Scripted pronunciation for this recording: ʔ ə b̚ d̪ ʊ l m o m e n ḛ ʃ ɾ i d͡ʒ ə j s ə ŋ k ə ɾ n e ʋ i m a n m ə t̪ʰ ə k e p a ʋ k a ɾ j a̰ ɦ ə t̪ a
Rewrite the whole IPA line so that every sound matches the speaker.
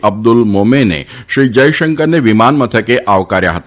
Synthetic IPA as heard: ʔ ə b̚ d̪ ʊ l m o m e n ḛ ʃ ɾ i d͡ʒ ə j ʃ ə ŋ k ə ɾ n e ʋ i m a n m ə t̪ʰ ə k e ʔ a ʋ k a ɾ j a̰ ɦ ə t̪ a

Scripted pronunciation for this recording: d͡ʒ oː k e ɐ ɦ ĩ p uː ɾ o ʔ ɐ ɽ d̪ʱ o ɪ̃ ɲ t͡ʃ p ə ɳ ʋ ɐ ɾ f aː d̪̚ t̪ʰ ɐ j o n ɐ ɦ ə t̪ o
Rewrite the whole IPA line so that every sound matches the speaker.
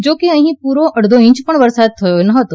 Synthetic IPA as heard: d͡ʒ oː k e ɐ ɦ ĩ p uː ɾ o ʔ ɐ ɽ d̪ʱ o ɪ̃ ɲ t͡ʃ p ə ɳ ʋ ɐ ɾ s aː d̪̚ t̪ʰ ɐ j o n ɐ ɦ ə t̪ o

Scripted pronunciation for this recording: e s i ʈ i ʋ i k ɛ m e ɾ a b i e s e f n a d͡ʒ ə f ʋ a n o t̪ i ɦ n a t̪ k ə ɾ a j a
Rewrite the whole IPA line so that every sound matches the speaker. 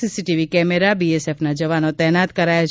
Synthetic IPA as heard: i s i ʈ i ʋ i k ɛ m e ɾ a b i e s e f n a d͡ʒ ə ʋ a n o t̪ ɛ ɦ n a t̪ k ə ɾ a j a

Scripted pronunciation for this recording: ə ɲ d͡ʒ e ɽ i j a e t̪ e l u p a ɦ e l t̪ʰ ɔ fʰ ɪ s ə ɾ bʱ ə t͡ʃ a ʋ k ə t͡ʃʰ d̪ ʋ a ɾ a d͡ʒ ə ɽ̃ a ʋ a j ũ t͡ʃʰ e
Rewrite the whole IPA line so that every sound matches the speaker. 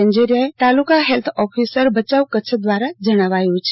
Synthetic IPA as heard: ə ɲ d͡ʒ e ɾ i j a e t̪ a l u k a ɦ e l t̪ʰ ɔ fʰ i s ə ɾ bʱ ə t͡ʃ a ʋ k ə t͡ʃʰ d̪ ʋ a ɾ a d͡ʒ ə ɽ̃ a ʋ a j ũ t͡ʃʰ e

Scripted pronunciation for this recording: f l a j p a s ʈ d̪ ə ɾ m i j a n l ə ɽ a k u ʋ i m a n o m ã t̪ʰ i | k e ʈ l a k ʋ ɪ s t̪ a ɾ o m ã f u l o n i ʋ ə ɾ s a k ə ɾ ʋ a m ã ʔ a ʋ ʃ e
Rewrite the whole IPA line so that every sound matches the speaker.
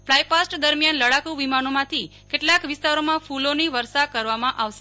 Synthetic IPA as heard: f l a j p a s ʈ d̪ ə ɾ m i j a n l ə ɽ a k u ʋ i m a n o m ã t̪ʰ i | k e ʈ l a k ʋ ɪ s t̪ a ɾ o m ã f u l o n i ʋ ə ɾ s a k ə ɾ ʋ a m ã ʔ a ʋ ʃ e

